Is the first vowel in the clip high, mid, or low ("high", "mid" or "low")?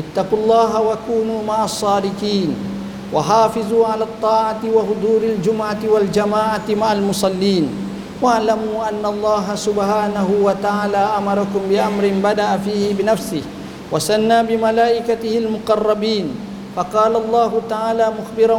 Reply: high